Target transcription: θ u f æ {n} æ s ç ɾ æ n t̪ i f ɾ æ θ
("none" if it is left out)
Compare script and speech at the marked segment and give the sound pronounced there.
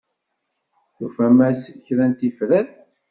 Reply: m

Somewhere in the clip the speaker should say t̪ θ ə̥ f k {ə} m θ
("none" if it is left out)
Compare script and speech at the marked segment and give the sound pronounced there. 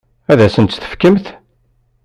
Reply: ə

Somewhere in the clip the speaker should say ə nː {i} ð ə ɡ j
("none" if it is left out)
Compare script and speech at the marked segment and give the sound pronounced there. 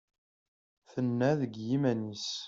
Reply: æ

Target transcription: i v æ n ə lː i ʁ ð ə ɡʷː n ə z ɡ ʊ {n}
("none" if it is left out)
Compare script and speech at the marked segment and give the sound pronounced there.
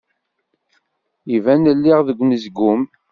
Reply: m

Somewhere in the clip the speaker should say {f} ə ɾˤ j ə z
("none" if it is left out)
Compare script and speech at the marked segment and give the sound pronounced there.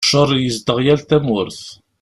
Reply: ʃ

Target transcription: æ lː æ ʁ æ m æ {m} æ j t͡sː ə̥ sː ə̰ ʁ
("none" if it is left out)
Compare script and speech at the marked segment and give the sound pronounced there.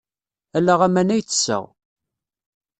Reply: n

